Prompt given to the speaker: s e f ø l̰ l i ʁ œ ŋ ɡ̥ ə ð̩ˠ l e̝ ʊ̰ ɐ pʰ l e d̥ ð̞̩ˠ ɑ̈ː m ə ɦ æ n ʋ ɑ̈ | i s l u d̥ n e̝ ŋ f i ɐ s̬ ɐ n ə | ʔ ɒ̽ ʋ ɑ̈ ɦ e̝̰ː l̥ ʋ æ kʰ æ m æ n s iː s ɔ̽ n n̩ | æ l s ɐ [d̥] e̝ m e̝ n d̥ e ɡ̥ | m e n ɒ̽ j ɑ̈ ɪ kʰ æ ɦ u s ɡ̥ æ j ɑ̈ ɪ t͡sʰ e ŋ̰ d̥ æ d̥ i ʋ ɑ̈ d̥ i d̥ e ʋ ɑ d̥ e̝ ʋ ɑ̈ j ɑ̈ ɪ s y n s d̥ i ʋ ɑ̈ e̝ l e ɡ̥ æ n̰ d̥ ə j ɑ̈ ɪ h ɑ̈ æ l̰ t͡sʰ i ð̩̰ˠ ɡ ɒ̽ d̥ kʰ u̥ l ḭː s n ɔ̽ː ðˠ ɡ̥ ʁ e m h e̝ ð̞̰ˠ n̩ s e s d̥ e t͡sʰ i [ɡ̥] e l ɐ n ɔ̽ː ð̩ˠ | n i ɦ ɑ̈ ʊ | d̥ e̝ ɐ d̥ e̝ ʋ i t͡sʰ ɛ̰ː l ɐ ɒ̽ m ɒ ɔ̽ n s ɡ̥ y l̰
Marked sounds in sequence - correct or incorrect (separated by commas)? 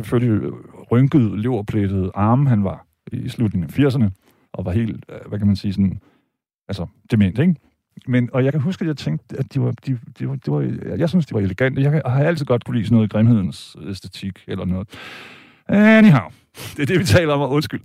correct, correct